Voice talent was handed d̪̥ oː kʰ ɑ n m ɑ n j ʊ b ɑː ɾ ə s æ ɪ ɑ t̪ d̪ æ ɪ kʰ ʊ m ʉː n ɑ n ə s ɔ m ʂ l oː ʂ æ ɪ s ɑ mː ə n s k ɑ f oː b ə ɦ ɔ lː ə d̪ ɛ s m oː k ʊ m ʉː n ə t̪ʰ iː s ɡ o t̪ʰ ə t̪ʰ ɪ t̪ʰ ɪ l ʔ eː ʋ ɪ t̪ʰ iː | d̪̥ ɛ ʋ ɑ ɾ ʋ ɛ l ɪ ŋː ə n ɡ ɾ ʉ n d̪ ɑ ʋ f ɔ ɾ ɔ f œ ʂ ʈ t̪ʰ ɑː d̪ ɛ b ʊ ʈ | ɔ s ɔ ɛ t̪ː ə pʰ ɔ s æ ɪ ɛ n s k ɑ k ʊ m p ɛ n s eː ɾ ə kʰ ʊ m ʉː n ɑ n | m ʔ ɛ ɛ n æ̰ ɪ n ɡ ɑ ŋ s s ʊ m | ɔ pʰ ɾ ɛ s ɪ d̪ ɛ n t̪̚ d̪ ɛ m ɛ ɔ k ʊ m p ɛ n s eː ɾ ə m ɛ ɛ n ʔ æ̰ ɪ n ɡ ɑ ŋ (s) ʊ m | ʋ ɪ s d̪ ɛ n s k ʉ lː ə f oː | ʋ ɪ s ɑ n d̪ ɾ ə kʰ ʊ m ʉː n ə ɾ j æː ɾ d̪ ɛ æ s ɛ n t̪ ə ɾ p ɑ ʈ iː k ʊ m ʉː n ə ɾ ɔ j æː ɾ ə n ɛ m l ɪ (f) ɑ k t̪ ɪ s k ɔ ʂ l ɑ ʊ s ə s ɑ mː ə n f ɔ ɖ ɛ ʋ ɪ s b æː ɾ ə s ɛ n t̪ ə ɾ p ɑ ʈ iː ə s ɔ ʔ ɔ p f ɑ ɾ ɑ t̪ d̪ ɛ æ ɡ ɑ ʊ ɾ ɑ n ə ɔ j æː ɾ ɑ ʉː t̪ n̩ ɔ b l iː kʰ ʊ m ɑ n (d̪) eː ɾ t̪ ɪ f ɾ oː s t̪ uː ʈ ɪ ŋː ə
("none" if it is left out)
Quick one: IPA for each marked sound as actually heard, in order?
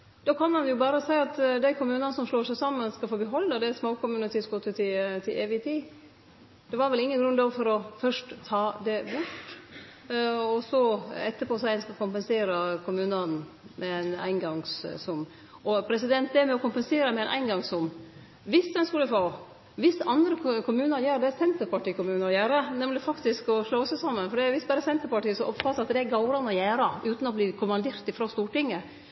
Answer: s, f, d̪

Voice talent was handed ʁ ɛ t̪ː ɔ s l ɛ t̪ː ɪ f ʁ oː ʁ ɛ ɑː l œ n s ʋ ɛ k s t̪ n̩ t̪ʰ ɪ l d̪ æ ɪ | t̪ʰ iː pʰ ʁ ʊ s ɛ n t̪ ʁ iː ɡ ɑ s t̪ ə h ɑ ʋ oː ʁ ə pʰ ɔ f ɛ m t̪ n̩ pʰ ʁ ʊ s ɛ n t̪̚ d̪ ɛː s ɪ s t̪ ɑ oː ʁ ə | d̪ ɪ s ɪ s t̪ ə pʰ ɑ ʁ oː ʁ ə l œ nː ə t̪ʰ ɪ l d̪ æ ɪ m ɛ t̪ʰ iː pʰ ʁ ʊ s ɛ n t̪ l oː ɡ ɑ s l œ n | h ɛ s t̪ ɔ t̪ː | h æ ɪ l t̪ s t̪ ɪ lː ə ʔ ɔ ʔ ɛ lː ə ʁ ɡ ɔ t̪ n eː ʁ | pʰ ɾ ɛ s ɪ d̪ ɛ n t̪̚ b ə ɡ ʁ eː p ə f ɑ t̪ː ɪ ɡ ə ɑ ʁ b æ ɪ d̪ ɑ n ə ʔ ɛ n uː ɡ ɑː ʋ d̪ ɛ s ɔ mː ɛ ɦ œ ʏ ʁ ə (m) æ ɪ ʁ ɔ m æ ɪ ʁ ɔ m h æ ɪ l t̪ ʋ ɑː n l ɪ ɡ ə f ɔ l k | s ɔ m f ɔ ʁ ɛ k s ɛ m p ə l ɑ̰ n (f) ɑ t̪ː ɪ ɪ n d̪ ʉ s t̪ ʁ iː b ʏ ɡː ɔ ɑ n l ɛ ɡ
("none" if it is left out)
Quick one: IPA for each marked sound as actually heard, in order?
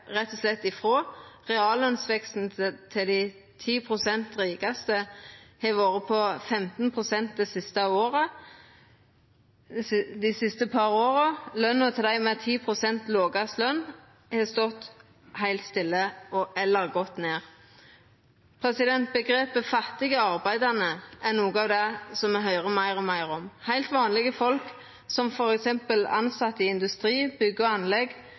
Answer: m, s

